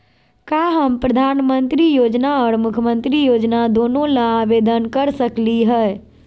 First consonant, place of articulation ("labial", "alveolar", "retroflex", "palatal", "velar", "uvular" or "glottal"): velar